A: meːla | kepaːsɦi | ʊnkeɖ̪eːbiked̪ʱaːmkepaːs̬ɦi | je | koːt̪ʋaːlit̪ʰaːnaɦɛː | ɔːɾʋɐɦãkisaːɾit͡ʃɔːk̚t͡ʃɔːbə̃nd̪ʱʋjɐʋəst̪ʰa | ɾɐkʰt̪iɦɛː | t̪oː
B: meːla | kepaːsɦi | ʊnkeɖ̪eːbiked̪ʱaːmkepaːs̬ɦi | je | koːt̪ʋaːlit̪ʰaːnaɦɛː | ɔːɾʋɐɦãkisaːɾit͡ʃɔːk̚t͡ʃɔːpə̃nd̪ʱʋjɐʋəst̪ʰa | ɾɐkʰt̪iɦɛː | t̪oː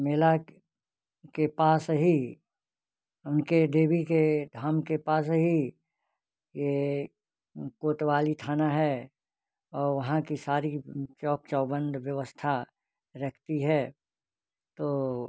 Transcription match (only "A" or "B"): A